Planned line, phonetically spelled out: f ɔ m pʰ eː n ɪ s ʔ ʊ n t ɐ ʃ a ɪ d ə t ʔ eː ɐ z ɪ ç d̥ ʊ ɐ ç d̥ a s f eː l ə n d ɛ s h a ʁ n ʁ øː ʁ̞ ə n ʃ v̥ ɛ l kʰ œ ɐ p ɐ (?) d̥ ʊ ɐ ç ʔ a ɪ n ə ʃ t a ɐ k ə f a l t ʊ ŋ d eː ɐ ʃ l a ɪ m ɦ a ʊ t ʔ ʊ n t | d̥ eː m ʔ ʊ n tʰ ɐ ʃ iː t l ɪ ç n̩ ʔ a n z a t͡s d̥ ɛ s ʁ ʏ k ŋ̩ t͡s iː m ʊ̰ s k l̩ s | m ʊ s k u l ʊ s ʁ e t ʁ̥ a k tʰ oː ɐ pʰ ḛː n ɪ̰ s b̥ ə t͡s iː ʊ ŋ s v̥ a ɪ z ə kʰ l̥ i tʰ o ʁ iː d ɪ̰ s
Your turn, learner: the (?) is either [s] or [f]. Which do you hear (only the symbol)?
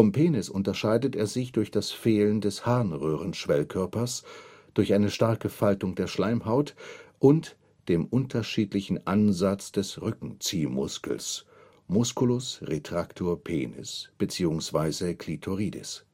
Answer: s